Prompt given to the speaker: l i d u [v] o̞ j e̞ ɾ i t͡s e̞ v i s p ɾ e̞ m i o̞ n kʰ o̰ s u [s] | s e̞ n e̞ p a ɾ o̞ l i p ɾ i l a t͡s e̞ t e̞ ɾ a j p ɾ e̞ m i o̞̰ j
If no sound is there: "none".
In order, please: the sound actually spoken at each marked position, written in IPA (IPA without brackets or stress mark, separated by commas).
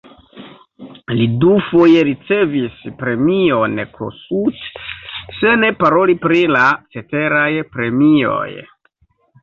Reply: f, t